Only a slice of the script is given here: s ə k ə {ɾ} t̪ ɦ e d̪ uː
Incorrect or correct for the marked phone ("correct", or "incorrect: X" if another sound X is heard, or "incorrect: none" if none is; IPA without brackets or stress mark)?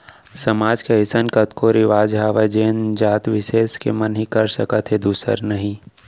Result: incorrect: none